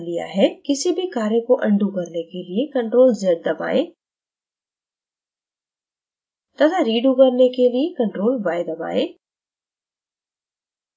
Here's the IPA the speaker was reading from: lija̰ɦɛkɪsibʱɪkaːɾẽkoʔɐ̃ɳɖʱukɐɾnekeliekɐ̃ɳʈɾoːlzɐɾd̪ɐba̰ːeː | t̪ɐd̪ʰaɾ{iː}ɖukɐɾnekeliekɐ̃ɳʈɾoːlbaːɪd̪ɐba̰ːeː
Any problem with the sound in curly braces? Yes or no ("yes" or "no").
no